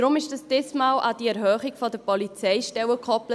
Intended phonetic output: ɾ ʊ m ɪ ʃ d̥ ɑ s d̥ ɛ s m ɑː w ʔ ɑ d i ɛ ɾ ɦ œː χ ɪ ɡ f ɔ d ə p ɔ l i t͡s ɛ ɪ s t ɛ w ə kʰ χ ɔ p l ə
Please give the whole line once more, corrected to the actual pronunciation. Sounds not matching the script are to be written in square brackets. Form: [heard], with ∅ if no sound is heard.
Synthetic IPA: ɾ ʊ m ɪ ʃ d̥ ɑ s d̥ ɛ s m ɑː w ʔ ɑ d i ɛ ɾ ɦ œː χ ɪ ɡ f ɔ d ə p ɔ l i t͡s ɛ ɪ [ʃ] t ɛ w ə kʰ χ ɔ p l ə